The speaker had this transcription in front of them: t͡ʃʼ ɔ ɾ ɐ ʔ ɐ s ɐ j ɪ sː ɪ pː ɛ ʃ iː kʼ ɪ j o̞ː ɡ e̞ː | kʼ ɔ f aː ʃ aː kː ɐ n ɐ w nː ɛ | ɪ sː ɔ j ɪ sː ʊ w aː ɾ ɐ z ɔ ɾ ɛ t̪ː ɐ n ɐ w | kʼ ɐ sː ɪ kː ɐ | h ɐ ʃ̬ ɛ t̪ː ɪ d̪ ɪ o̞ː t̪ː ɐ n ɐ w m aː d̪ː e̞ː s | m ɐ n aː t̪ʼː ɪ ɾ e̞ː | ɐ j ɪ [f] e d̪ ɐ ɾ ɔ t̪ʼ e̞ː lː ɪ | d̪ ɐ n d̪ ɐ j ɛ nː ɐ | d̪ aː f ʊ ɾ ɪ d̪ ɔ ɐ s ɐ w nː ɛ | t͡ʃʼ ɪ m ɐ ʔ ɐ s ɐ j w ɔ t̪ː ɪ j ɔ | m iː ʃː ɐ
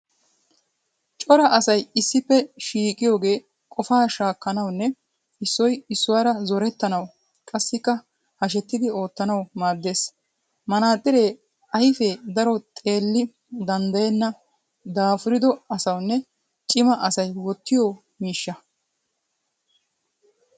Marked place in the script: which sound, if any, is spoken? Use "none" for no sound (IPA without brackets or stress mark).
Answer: f